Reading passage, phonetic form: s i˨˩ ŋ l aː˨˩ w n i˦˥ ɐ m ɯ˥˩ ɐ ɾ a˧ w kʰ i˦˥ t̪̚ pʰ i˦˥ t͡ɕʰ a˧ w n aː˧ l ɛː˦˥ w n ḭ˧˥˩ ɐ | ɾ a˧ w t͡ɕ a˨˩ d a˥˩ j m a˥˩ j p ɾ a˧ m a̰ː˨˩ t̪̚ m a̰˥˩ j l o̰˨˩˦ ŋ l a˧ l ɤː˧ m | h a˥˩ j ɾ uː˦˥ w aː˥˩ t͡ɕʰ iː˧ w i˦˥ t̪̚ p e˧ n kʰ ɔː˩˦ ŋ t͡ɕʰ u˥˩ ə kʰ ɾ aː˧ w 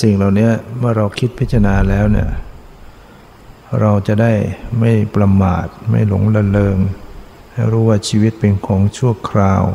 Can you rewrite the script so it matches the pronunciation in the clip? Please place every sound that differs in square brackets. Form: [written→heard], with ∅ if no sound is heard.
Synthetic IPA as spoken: s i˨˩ ŋ l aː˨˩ w n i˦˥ ɐ m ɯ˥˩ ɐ ɾ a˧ w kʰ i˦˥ t̪̚ pʰ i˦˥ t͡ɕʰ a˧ [w→∅] n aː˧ l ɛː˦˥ w n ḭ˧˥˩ ɐ | ɾ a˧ w t͡ɕ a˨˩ d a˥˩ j m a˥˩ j p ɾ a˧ m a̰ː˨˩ t̪̚ m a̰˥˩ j l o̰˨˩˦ ŋ l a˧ l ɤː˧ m | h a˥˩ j ɾ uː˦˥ w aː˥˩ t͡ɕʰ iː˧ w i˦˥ t̪̚ p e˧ n kʰ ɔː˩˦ ŋ t͡ɕʰ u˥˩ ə kʰ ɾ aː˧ w